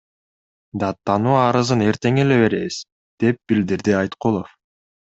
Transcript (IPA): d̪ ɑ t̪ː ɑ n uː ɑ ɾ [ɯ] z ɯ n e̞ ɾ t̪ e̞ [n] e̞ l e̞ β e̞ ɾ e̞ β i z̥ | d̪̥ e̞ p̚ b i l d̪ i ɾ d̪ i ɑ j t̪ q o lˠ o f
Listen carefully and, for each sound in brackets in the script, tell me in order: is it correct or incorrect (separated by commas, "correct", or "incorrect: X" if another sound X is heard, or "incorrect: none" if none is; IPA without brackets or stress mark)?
correct, incorrect: ŋ